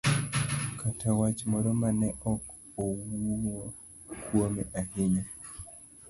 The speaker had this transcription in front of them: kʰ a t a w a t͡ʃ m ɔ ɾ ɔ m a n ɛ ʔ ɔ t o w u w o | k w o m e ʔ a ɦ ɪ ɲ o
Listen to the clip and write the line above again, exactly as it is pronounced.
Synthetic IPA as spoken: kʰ a t a w a t͡ʃ m ɔ ɾ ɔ m a n ɛ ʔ ɔ k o w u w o | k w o m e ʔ a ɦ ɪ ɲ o